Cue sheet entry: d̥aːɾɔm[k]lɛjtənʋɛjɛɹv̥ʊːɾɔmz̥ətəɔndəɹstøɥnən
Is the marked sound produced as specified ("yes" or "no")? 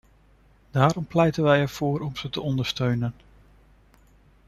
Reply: no